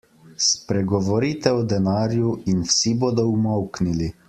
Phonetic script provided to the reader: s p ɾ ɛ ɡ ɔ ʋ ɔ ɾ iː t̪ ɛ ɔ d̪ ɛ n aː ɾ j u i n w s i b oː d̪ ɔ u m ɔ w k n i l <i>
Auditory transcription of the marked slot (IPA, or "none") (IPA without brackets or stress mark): i